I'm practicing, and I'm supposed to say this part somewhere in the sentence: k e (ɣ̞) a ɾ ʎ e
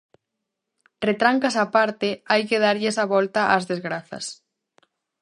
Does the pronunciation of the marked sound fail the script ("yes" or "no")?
yes